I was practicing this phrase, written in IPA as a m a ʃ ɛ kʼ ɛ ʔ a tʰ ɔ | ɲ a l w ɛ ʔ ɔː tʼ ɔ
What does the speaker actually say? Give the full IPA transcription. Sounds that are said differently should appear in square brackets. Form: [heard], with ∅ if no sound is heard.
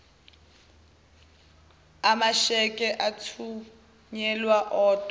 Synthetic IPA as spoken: a m a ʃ ɛ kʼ ɛ ʔ a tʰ [u] | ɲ [ɛ] l w [a] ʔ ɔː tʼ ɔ

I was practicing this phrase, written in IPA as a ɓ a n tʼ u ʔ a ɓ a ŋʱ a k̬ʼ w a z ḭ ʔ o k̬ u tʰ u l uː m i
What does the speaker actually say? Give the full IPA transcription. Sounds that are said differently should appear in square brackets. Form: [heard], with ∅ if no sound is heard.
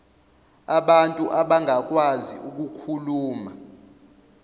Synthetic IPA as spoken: a ɓ a n tʼ u ʔ a ɓ a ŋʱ a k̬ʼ w a z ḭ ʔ [u] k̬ u [kʰ] u l uː m [a]

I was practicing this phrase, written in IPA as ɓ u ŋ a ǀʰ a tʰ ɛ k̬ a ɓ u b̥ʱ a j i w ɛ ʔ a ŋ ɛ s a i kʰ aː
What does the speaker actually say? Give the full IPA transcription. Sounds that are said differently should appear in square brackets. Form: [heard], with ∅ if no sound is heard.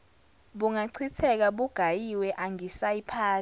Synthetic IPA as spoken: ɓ u ŋ a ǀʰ [i] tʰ ɛ k̬ a ɓ u [ɡ̥ʱ] a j i w ɛ ʔ a ŋ [i] s a i [pʰ] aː

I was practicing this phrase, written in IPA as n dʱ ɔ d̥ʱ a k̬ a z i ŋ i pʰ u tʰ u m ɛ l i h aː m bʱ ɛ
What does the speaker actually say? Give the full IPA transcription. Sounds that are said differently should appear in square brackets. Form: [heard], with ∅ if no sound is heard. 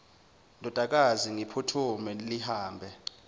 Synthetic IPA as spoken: n dʱ ɔ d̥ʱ a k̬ a z i ŋ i pʰ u tʰ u m ɛ l i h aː m bʱ ɛ

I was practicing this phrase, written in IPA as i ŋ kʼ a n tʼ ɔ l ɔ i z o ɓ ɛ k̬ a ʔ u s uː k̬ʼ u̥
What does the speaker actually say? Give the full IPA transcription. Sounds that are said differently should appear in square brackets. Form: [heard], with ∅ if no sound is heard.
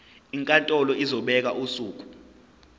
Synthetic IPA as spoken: i ŋ kʼ a n tʼ ɔ l ɔ i z [ɔ] ɓ ɛ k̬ a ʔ u s uː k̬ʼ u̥

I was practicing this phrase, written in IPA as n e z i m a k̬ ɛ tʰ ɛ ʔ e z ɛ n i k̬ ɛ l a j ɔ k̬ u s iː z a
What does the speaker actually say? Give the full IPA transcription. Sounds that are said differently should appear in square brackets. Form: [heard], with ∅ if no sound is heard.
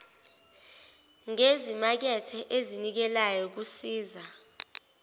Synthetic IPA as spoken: [ŋ] e z i m a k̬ ɛ tʰ ɛ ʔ e z [i] n i k̬ ɛ l a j ɔ k̬ u s iː z a

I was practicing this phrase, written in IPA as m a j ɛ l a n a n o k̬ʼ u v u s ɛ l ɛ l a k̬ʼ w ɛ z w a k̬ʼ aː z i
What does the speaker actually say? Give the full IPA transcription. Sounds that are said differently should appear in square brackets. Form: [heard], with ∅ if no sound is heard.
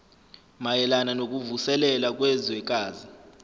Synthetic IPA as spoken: m a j ɛ l a n a n o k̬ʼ u v u s ɛ l ɛ l a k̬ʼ w ɛ z w [ɛ] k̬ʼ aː z i

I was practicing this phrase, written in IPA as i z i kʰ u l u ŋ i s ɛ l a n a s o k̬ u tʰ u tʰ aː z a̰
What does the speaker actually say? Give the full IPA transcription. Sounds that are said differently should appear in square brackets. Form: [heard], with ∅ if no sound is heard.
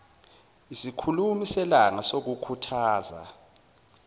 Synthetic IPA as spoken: i [s] i kʰ u l u [m] i s ɛ l a [ŋ] a s o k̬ u [kʰ] u tʰ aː z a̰

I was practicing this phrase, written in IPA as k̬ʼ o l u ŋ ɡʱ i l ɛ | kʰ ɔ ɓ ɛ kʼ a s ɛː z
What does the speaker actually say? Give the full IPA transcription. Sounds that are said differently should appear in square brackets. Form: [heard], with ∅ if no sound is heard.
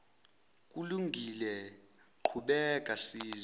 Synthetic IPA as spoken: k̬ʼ [u] l u ŋ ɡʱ i l ɛ | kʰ [u] ɓ ɛ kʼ a s [iː] z

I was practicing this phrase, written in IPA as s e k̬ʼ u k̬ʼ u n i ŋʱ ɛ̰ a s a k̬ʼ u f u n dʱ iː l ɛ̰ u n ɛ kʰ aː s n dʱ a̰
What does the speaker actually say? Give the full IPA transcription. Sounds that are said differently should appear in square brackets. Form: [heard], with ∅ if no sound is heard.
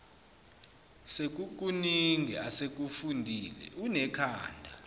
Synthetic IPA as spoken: s e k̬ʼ u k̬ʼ u n i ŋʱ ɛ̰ a s [e] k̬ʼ u f u n dʱ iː l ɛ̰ u n ɛ kʰ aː [∅] n dʱ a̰

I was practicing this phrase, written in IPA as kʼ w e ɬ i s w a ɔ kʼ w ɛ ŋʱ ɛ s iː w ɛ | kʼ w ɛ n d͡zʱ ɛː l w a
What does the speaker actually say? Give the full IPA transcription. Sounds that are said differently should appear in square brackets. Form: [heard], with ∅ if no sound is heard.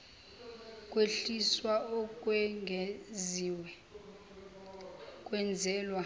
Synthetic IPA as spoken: kʼ w e ɬ i s w a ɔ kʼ w ɛ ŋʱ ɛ [z] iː w ɛ | kʼ w ɛ n d͡zʱ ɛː l w a

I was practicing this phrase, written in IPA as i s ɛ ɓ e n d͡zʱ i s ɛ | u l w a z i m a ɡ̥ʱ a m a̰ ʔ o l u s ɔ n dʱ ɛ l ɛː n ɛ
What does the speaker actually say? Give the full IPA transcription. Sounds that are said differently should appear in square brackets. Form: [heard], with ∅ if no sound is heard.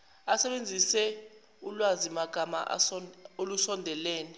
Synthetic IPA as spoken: [a] s ɛ ɓ e n d͡zʱ i s ɛ | u l w a z i m a ɡ̥ʱ a m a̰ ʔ o l u s ɔ n dʱ ɛ l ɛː n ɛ

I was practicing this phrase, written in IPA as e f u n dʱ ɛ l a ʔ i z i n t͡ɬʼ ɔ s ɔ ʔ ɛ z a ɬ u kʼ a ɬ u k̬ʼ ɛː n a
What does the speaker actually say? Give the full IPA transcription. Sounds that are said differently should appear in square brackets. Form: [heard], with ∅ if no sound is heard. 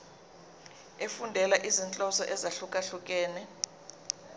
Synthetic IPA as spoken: e f u n dʱ ɛ l a ʔ i z i n t͡ɬʼ ɔ s ɔ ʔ ɛ z a ɬ u kʼ a ɬ u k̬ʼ ɛː n [ɛ]

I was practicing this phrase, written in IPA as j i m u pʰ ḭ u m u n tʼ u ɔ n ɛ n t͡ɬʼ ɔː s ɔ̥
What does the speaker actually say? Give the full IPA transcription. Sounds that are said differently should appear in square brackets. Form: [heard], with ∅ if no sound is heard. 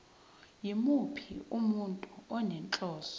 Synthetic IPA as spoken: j i m u pʰ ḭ u m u n tʼ u ɔ n ɛ n t͡ɬʼ ɔː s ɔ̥

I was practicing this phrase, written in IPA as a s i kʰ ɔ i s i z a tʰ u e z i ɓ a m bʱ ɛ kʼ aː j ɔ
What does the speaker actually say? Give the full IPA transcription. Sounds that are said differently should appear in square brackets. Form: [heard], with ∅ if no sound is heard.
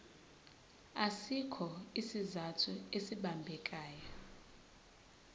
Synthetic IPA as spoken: a s i kʰ ɔ i s i z a tʰ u e [s] i ɓ a m bʱ ɛ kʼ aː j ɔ

